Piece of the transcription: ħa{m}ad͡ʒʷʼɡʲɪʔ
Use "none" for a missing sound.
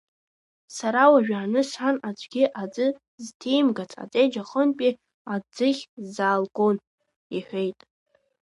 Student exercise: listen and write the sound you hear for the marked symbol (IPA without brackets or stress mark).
n